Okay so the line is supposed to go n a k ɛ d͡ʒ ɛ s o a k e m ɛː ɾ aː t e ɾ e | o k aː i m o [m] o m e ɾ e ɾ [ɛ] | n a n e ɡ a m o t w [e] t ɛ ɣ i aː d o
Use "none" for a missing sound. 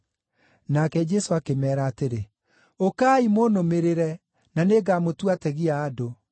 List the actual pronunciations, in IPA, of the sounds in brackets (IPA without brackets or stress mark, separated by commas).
n, ɛ, a